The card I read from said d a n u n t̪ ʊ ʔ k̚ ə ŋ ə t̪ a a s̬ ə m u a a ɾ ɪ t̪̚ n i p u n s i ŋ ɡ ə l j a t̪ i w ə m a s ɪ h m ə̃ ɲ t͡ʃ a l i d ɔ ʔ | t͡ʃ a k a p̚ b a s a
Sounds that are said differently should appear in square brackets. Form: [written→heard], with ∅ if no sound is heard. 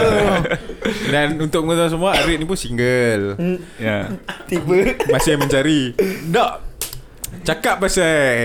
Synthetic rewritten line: d a n u n t̪ ʊ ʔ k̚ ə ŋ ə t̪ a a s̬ ə m u a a ɾ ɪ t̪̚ n i p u n s i ŋ ɡ ə l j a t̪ i [w→b] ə m a s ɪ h m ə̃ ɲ t͡ʃ a [l→ɾ] i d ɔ ʔ | t͡ʃ a k a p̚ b a s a